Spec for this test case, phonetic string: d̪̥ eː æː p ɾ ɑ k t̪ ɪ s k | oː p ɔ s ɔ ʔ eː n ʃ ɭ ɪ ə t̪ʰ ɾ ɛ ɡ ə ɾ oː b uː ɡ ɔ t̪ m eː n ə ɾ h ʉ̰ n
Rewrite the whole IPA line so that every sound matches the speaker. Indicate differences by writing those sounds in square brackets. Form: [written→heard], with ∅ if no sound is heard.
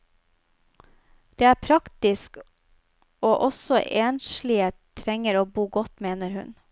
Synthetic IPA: d̪̥ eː æː [p→pʰ] ɾ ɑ k t̪ ɪ s k | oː [p→ʔ] ɔ s ɔ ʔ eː n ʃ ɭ ɪ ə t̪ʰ ɾ ɛ [ɡ→ŋ] ə ɾ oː b uː ɡ ɔ t̪ m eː n ə ɾ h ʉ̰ n